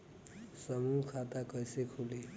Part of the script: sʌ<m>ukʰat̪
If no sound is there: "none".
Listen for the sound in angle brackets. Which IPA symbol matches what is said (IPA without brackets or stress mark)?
m